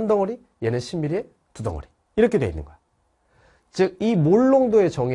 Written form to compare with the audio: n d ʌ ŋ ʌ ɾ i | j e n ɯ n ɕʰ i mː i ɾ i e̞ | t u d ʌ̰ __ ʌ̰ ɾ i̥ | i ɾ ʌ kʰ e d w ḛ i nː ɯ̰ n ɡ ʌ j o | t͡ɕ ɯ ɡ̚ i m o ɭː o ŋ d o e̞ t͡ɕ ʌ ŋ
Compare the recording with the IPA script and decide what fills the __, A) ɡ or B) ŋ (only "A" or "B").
B